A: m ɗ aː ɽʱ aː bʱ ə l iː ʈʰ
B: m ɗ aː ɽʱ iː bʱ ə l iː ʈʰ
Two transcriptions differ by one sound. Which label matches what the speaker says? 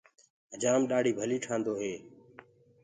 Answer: B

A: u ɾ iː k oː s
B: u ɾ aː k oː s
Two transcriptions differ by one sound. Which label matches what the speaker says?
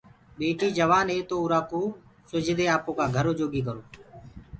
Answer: B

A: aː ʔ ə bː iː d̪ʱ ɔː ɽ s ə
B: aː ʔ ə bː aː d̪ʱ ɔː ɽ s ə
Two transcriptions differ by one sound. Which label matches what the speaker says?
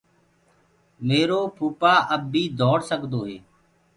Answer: A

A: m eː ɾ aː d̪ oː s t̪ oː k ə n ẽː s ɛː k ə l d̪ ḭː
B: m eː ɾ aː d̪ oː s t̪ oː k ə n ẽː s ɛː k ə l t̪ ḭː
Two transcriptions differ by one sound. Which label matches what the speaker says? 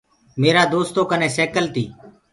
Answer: B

